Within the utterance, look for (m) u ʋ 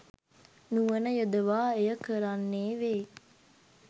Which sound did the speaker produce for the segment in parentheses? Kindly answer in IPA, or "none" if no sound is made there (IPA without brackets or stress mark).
n